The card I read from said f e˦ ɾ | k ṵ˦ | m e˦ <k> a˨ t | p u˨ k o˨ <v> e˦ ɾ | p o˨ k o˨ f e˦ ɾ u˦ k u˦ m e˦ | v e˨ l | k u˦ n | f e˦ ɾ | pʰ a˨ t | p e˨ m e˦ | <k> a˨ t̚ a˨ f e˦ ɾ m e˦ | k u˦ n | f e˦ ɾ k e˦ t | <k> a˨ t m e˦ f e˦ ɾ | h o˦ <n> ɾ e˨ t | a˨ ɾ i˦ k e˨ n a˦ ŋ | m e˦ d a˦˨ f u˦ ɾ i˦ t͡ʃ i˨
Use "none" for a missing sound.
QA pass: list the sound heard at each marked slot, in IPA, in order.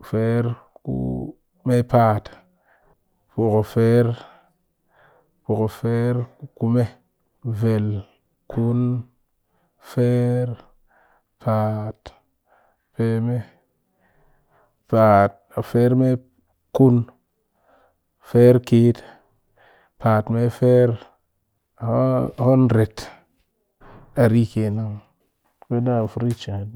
p, f, p, p, n

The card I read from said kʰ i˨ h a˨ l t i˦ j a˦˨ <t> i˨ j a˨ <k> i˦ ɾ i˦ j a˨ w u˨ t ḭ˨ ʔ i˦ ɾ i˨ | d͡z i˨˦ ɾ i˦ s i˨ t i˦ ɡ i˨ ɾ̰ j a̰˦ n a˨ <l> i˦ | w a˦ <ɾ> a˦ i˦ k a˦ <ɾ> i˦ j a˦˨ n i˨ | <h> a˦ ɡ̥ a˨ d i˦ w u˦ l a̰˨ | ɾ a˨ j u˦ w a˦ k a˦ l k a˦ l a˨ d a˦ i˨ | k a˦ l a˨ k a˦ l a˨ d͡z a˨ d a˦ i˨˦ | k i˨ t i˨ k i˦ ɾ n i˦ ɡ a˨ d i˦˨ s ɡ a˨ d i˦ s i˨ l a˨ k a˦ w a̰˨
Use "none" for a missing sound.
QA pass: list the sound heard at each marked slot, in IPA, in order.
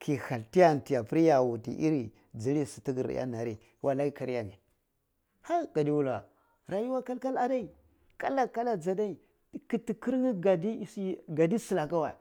t, p, ɾ, l, ɾ, h

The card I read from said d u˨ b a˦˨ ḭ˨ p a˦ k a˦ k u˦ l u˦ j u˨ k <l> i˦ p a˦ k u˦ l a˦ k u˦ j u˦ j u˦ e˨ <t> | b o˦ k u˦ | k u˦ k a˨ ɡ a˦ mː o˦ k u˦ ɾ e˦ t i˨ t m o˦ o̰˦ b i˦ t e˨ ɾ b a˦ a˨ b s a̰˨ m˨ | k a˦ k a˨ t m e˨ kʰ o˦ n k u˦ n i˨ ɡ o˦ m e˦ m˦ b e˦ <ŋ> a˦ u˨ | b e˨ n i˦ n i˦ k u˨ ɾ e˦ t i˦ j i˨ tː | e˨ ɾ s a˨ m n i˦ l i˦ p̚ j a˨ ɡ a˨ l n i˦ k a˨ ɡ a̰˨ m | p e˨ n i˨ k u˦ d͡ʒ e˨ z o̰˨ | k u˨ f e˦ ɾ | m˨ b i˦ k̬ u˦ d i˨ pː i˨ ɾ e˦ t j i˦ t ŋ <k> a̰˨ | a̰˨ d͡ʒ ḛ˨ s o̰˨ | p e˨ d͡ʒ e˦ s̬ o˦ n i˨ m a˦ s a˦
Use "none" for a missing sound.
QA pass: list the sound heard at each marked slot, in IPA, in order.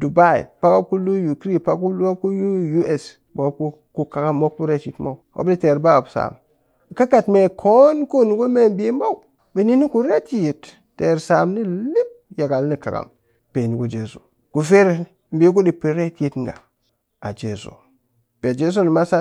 ɾ, s, m, ɡ

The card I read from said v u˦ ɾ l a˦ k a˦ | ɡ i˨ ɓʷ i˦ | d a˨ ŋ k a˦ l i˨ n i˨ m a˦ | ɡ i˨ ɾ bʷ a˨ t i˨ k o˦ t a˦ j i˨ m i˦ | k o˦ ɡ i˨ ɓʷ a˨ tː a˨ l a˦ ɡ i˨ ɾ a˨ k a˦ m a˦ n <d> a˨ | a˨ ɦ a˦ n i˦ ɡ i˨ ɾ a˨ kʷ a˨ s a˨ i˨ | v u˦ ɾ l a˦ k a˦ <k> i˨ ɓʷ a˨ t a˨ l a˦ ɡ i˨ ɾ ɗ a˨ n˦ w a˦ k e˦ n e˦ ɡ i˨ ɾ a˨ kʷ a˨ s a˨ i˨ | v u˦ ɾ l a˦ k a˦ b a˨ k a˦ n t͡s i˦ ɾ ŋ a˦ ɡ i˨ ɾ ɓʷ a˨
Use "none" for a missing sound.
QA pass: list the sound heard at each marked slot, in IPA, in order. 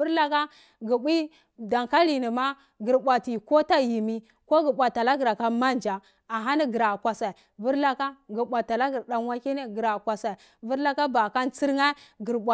d͡ʒ, ɡ

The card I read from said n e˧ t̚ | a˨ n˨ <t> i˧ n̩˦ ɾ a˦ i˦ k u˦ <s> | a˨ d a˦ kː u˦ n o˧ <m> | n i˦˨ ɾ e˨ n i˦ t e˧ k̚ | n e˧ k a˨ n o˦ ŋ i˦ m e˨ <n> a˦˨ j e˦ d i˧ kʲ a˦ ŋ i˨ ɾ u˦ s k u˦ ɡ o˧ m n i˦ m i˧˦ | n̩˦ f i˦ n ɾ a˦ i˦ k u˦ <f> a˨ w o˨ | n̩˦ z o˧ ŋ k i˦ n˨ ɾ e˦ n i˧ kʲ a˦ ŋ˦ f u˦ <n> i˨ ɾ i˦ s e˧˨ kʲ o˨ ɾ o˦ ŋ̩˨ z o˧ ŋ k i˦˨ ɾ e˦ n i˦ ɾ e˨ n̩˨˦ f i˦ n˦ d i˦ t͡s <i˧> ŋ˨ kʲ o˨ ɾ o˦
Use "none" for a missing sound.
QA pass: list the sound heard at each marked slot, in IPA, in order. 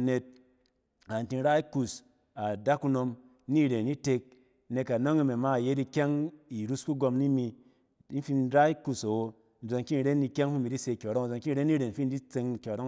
t, s, m, m, s, m, e˧

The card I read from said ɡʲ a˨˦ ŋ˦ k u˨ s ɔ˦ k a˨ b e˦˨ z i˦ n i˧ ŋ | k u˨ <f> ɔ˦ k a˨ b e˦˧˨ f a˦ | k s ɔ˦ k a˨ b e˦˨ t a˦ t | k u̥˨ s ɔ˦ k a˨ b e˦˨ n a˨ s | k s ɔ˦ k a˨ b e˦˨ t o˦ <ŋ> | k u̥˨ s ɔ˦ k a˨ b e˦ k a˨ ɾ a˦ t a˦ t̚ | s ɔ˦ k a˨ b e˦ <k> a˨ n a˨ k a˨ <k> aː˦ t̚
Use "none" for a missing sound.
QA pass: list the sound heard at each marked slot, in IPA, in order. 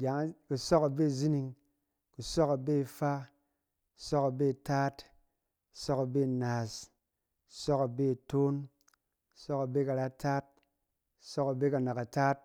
s, n, k, t

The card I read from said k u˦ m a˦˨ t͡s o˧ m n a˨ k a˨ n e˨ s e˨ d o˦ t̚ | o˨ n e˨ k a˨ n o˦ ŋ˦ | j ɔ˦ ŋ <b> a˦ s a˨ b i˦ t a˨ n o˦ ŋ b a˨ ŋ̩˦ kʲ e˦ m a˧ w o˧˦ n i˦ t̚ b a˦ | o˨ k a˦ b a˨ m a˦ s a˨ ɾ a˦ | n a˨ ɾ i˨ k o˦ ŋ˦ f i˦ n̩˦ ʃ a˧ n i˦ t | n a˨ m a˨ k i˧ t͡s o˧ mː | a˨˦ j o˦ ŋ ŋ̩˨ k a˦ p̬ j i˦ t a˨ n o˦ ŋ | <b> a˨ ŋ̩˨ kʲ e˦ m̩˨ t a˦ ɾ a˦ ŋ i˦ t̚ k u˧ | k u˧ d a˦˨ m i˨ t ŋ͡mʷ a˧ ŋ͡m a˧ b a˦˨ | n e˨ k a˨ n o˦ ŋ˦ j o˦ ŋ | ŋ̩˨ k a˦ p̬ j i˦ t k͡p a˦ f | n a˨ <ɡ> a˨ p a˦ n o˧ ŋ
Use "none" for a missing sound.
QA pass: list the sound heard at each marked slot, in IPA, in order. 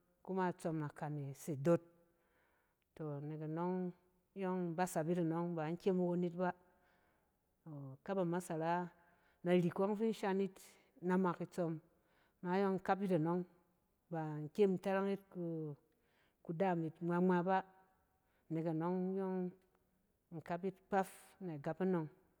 b, b, ɡ

